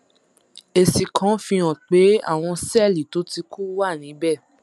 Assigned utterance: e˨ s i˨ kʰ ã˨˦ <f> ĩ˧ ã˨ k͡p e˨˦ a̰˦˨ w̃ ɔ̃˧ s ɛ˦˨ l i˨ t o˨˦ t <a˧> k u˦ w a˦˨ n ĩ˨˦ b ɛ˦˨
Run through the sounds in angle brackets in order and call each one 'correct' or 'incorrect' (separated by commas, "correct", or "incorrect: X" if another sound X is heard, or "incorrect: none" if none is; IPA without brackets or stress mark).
correct, incorrect: i˧